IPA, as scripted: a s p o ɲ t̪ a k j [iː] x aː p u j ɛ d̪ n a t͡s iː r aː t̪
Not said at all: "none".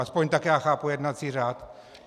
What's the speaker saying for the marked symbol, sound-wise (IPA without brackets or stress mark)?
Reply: aː